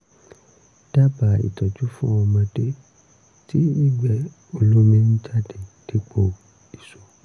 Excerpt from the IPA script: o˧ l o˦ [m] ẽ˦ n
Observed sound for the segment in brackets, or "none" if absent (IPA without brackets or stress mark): m